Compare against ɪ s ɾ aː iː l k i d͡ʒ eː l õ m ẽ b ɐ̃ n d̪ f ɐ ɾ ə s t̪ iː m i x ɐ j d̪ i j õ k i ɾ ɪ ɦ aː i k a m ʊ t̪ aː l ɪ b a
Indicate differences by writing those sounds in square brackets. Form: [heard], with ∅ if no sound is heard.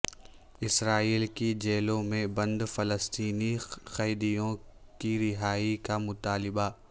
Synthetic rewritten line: ɪ s ɾ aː iː l k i d͡ʒ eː l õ m ẽ b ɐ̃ n d̪ f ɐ [l] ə s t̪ iː [n] i x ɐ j d̪ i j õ k i ɾ ɪ ɦ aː i k a m ʊ t̪ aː l ɪ b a